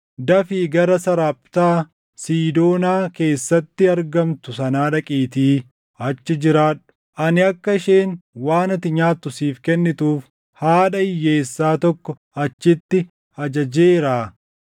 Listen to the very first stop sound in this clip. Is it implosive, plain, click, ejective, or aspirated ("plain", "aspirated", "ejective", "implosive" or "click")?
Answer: plain